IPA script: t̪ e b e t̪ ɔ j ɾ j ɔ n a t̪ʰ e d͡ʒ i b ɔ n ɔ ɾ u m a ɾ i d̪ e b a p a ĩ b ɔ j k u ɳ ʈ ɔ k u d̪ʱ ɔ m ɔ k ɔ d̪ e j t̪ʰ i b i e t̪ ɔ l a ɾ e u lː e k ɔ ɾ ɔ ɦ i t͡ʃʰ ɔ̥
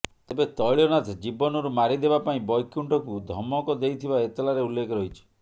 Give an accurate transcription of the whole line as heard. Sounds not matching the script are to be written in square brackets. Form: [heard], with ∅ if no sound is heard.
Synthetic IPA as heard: t̪ e b e t̪ ɔ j [ɭ] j ɔ n a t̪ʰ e d͡ʒ i b ɔ n ɔ ɾ u m a ɾ i d̪ e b a p a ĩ b ɔ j k u ɳ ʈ ɔ k u d̪ʱ ɔ m ɔ k ɔ d̪ e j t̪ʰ i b [a] e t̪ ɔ l a ɾ e u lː e k ɔ ɾ ɔ ɦ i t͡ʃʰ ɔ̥

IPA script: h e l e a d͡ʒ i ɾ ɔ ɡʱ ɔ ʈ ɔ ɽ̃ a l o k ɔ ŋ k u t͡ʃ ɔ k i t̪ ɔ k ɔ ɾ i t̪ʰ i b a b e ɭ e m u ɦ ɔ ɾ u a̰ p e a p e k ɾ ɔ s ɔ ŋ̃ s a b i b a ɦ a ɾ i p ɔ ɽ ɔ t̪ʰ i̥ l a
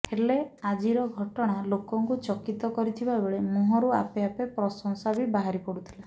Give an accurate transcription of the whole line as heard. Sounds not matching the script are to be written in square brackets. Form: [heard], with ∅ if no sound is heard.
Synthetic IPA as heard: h e l e a d͡ʒ i ɾ ɔ ɡʱ ɔ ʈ ɔ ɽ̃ a l o k ɔ ŋ k u t͡ʃ ɔ k i t̪ ɔ k ɔ ɾ i t̪ʰ i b a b e ɭ e m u ɦ ɔ ɾ u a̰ p e a p e [p] ɾ ɔ s ɔ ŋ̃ s a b i b a ɦ a ɾ i p ɔ ɽ [u] t̪ʰ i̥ l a

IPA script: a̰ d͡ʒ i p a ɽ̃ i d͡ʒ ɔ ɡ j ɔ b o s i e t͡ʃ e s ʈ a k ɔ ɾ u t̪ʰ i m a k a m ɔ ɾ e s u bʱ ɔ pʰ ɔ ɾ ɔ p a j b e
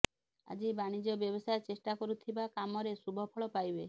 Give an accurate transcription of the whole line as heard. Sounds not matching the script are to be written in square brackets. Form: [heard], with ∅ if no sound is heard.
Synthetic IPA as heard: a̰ d͡ʒ i [b] a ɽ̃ i d͡ʒ ɔ [b] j ɔ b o s [a] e t͡ʃ e s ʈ a k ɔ ɾ u t̪ʰ i [b] a k a m ɔ ɾ e s u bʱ ɔ pʰ ɔ [ɭ] ɔ p a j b e

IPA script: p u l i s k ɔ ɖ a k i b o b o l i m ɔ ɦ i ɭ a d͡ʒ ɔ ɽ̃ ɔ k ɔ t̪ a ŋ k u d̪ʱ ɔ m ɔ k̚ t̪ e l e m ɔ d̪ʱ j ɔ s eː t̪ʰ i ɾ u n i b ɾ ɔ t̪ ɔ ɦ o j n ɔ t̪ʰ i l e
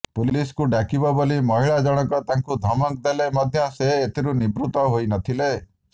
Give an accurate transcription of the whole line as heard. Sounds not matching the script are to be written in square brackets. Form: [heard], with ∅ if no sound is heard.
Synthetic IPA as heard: p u l i s k [u] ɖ a k i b [ɔ] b o l i m ɔ ɦ i ɭ a d͡ʒ ɔ ɽ̃ ɔ k ɔ t̪ a ŋ k u d̪ʱ ɔ m ɔ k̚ [d̪] e l e m ɔ d̪ʱ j ɔ s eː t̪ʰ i ɾ u n i b ɾ [u] t̪ ɔ ɦ o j n ɔ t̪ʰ i l e

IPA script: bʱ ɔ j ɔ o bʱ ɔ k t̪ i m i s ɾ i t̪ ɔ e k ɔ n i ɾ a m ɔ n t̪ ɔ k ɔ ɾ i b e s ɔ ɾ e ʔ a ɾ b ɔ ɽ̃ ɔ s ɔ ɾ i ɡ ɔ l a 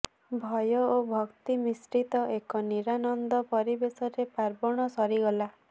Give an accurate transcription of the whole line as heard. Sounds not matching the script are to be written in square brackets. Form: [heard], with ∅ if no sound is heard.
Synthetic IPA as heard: bʱ ɔ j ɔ o bʱ ɔ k t̪ i m i s ɾ i t̪ ɔ e k ɔ n i ɾ a [n] ɔ n [d̪] ɔ [p] ɔ ɾ i b e s ɔ ɾ e [p] a ɾ b ɔ ɽ̃ ɔ s ɔ ɾ i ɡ ɔ l a

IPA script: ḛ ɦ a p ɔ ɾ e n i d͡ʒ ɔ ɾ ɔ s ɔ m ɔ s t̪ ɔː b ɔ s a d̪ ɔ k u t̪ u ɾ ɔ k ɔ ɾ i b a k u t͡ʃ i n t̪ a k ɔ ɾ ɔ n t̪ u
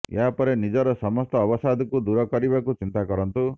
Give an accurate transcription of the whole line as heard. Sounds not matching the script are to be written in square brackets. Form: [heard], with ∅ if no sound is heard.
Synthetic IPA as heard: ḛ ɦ a p ɔ ɾ e n i d͡ʒ ɔ ɾ ɔ s ɔ m ɔ s t̪ ɔː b ɔ s a d̪ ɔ k u [d̪] u ɾ ɔ k ɔ ɾ i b a k u t͡ʃ i n t̪ a k ɔ ɾ ɔ n t̪ u

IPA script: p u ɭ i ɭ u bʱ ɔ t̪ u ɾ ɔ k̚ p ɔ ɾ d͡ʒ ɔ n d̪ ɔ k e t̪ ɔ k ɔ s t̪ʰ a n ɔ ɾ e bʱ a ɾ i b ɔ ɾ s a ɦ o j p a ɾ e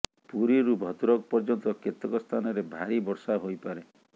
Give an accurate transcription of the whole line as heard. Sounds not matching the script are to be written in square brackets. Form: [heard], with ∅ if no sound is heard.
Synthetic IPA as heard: p u [ɾ] i [ɾ] u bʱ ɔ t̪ u ɾ ɔ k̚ p ɔ ɾ d͡ʒ ɔ n [t̪] ɔ k e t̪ ɔ k ɔ s t̪ʰ a n ɔ ɾ e bʱ a ɾ i b ɔ ɾ s a ɦ o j p a ɾ e

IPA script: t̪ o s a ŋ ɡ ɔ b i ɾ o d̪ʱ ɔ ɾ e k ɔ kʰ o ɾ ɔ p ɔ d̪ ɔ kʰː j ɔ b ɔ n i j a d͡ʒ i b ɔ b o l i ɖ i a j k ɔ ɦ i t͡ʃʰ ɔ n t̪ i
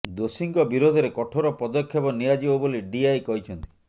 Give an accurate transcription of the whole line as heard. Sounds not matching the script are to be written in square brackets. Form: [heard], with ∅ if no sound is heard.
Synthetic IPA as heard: [d̪] o s [i] ŋ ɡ ɔ b i ɾ o d̪ʱ ɔ ɾ e k ɔ [ʈʰ] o ɾ ɔ p ɔ d̪ ɔ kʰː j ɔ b ɔ n i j a d͡ʒ i b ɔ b o l i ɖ i a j k ɔ ɦ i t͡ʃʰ ɔ n t̪ i

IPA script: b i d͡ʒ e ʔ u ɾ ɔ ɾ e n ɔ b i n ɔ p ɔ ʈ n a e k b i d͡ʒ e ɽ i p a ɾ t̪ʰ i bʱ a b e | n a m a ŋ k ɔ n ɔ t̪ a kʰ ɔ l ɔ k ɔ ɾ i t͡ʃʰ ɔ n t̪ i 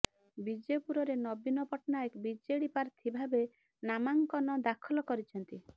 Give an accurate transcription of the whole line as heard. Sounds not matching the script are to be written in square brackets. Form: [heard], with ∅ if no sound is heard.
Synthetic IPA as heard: b i d͡ʒ e [p] u ɾ ɔ ɾ e n ɔ b i n ɔ p ɔ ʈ n a e k b i d͡ʒ e ɽ i p a ɾ t̪ʰ i bʱ a b e | n a m a ŋ k ɔ n ɔ [d̪] a kʰ ɔ l ɔ k ɔ ɾ i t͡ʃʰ ɔ n t̪ i

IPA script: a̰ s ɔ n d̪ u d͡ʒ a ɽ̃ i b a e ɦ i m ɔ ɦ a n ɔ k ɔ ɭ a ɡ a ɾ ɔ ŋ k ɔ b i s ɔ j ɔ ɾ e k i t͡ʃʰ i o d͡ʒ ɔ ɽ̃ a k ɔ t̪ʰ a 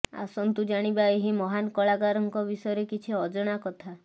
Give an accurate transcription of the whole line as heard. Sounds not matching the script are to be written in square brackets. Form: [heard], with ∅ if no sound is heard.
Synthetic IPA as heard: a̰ s ɔ n [t̪] u d͡ʒ a ɽ̃ i b a e ɦ i m ɔ ɦ a n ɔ k ɔ ɭ a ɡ a ɾ ɔ ŋ k ɔ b i s ɔ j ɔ ɾ e k i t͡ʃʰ i [ɔ] d͡ʒ ɔ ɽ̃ a k ɔ t̪ʰ a

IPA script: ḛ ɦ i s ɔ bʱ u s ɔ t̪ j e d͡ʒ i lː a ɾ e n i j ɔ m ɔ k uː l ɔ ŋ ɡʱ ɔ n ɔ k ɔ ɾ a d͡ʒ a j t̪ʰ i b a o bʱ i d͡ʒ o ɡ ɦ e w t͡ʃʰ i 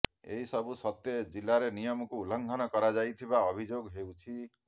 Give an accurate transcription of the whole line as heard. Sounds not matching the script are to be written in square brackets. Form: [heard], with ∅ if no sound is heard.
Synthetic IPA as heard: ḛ ɦ i s ɔ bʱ u s ɔ t̪ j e d͡ʒ i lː a ɾ e n i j ɔ m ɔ k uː l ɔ ŋ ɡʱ ɔ n ɔ k ɔ ɾ a d͡ʒ a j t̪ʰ i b a [ɔ] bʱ i d͡ʒ o ɡ ɦ e w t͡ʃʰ i

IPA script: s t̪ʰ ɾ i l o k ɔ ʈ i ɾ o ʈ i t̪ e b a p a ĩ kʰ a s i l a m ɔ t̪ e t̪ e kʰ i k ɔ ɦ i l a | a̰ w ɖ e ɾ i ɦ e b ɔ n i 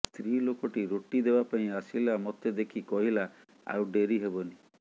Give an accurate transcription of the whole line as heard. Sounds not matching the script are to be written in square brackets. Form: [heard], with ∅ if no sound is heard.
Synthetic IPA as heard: s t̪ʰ ɾ i l o k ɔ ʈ i ɾ o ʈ i [d̪] e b a p a ĩ [∅] a s i l a m ɔ t̪ e [d̪] e kʰ i k ɔ ɦ i l a | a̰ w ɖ e ɾ i ɦ e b ɔ n i

